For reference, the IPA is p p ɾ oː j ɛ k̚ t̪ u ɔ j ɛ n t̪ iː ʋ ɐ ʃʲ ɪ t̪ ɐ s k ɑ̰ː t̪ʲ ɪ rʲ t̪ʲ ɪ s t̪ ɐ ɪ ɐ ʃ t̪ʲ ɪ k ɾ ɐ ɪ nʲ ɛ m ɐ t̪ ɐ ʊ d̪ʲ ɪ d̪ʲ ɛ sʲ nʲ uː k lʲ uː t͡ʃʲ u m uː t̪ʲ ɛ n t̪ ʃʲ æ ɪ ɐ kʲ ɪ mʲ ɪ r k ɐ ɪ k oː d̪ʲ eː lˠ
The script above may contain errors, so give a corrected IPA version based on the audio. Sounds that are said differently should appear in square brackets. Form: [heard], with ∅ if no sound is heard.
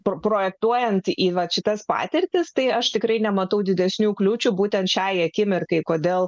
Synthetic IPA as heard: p p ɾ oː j ɛ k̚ t̪ u ɔ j ɛ n t̪ iː ʋ ɐ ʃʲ ɪ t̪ ɐ s [p] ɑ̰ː t̪ʲ ɪ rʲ t̪ʲ ɪ s t̪ ɐ ɪ ɐ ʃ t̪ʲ ɪ k ɾ ɐ ɪ nʲ ɛ m ɐ t̪ ɐ ʊ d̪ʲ ɪ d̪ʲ ɛ sʲ nʲ uː k lʲ uː t͡ʃʲ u [b] uː t̪ʲ ɛ n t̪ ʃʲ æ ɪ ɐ kʲ ɪ mʲ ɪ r k ɐ ɪ k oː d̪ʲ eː lˠ